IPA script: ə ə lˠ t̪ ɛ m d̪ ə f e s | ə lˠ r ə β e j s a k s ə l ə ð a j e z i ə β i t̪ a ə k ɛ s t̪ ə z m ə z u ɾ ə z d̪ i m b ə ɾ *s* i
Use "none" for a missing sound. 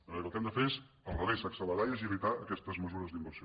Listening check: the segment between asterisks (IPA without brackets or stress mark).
s